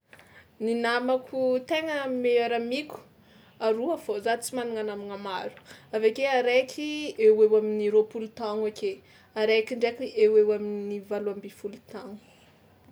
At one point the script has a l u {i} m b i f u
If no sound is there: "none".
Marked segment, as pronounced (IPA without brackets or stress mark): a